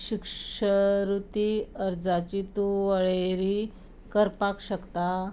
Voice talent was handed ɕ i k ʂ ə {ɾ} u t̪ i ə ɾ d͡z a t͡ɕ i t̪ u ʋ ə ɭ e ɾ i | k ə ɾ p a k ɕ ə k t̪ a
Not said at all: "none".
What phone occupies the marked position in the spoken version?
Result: ɾ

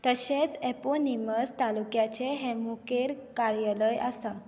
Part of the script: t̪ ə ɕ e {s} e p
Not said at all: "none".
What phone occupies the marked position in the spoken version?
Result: t͡s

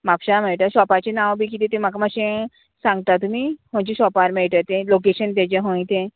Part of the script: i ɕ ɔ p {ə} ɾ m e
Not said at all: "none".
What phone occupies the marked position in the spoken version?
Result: a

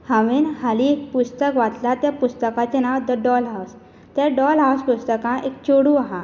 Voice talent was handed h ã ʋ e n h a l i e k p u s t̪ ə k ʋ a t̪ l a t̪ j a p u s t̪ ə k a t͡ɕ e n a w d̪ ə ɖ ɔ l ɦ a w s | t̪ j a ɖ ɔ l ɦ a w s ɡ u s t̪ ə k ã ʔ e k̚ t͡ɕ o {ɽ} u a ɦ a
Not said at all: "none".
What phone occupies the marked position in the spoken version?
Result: ɽ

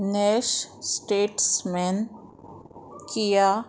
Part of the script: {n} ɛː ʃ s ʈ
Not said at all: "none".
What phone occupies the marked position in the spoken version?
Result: n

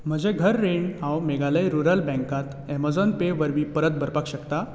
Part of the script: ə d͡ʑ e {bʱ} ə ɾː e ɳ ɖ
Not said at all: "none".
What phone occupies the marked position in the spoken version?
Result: ɡʱ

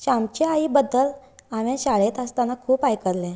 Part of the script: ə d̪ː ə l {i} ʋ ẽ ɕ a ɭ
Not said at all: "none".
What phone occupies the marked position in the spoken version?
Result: a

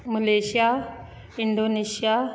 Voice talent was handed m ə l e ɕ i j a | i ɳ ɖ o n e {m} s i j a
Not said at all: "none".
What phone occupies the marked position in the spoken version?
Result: none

